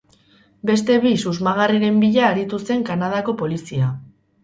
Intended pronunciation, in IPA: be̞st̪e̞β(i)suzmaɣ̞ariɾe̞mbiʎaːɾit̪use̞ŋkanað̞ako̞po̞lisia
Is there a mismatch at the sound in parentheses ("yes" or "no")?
no